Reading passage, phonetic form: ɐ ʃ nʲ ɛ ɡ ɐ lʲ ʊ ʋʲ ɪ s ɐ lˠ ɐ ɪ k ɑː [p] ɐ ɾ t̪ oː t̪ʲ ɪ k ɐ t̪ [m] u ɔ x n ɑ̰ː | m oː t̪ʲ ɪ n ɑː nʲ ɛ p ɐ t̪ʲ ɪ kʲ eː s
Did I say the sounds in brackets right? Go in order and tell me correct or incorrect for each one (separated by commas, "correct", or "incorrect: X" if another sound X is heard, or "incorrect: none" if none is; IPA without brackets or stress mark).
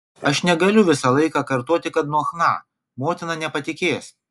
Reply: incorrect: k, incorrect: n